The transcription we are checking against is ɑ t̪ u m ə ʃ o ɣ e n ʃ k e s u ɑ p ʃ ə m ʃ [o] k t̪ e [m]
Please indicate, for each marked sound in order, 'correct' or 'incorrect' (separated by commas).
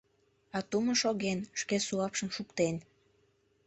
incorrect, incorrect